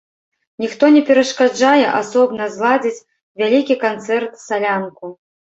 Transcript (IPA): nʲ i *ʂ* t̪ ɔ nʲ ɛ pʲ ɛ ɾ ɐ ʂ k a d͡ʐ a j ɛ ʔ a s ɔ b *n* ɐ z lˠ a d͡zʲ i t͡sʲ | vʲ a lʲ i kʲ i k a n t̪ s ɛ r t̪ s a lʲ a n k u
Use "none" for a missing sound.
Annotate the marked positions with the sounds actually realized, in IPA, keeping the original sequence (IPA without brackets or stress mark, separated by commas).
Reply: x, n